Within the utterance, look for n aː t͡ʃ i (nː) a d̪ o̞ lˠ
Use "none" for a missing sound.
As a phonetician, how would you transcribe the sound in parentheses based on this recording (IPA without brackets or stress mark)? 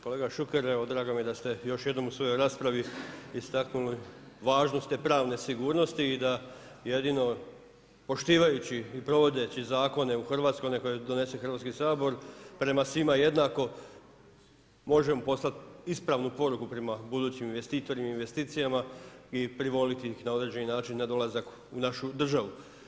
nː